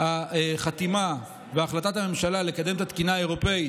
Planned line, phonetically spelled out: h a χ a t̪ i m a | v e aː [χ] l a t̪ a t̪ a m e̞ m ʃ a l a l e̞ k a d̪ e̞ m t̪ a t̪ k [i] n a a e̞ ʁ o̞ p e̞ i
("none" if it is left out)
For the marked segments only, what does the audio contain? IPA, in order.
χ, i

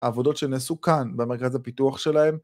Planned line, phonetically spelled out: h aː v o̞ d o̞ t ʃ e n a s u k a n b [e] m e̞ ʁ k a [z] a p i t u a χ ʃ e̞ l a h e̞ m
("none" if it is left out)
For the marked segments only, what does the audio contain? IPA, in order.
e, z

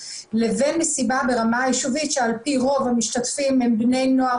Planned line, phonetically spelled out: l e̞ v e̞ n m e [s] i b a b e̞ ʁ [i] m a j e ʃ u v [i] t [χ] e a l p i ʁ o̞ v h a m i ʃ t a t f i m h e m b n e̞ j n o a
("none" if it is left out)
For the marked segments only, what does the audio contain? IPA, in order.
s, a, i, ʃ

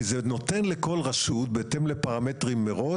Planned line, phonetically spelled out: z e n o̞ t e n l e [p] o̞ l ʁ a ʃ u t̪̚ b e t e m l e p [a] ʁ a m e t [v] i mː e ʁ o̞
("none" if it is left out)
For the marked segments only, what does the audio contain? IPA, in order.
k, a, ʁ

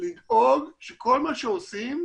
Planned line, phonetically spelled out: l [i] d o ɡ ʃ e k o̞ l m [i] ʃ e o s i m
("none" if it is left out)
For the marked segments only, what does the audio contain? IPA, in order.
i, a

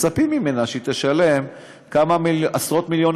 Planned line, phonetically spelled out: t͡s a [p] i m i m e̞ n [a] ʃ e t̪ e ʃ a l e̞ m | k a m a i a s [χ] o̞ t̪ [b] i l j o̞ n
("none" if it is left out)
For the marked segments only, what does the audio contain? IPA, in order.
p, a, ʁ, m

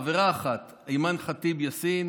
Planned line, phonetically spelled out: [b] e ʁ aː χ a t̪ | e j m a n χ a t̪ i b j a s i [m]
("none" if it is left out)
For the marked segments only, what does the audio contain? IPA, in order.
v, n

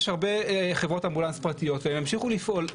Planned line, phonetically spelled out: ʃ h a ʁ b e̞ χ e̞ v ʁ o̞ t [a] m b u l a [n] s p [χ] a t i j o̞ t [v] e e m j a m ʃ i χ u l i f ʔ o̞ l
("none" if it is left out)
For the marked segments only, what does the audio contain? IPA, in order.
a, n, ʁ, v

